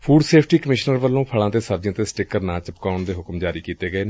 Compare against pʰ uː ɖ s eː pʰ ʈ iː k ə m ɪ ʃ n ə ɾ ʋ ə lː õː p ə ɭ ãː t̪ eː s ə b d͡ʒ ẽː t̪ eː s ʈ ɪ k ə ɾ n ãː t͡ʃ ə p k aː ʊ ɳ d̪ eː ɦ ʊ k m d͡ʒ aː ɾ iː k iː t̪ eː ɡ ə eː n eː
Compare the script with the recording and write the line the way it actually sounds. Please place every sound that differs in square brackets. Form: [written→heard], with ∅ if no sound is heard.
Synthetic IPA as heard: pʰ uː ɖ s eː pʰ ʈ iː k ə m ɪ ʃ n ə ɾ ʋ ə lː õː [p→pʰ] ə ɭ ãː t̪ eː s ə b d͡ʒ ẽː t̪ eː s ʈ ɪ k ə ɾ n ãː t͡ʃ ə p k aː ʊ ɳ d̪ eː ɦ ʊ k m d͡ʒ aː ɾ iː k iː t̪ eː ɡ ə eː n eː